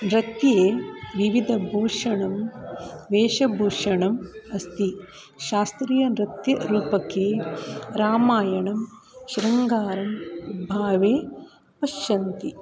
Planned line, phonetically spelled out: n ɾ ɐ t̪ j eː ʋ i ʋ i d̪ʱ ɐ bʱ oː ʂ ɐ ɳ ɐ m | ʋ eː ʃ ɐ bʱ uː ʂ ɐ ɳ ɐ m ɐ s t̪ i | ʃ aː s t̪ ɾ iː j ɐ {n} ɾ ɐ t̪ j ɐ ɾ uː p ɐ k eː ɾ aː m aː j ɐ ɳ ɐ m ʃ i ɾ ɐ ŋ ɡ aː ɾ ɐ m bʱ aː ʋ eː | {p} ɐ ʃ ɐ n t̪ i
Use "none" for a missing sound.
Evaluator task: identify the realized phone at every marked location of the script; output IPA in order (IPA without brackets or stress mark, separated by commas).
n, p